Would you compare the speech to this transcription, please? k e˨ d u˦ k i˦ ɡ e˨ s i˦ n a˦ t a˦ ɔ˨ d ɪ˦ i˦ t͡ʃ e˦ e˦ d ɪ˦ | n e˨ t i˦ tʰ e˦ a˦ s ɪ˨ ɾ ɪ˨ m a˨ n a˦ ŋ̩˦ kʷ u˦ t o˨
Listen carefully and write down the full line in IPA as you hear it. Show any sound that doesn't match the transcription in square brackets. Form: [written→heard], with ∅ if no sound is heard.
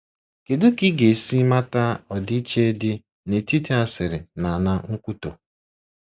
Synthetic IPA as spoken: k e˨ d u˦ k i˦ ɡ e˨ s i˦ [n→m] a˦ t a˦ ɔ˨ d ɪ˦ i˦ t͡ʃ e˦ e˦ d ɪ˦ | n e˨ t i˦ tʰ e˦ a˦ s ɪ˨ ɾ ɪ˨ [m→n] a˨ n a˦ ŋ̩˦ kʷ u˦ t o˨